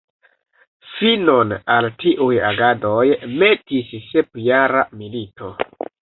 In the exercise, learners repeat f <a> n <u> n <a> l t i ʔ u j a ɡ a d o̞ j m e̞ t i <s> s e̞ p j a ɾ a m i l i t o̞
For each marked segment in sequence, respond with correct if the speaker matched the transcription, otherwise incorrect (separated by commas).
incorrect, incorrect, correct, correct